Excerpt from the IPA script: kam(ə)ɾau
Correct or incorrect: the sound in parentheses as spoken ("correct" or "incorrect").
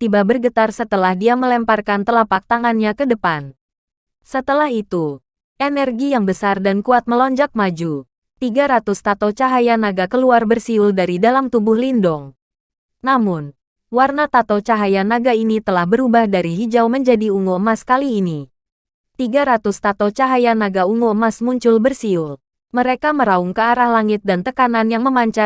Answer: correct